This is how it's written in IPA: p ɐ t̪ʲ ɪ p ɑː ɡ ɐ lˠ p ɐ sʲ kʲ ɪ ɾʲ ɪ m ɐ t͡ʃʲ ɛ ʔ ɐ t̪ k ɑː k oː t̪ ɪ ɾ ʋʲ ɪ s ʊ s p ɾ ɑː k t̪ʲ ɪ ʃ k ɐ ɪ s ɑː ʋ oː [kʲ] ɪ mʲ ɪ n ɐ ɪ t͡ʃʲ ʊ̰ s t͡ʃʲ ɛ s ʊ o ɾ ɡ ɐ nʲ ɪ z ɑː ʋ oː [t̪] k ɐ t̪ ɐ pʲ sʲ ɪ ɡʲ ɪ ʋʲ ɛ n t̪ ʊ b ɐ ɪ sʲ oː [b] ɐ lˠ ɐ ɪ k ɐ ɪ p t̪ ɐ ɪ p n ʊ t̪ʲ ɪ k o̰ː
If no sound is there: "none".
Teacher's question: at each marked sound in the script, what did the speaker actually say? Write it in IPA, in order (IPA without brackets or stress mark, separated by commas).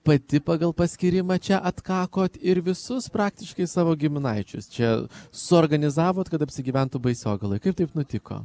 ɡʲ, t̪, ɡ